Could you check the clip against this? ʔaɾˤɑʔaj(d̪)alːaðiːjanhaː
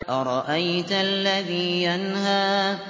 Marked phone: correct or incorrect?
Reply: incorrect: t̪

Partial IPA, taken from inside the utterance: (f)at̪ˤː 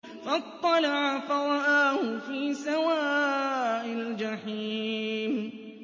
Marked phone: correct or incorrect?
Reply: correct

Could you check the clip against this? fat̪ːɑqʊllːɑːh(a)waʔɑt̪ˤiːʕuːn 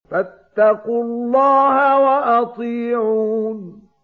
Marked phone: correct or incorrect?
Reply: correct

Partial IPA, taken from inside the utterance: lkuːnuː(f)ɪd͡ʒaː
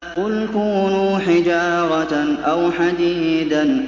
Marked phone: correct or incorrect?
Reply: incorrect: ħ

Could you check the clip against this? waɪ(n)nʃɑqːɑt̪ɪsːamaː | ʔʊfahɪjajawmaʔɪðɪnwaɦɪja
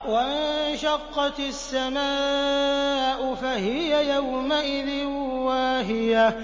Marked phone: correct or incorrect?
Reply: correct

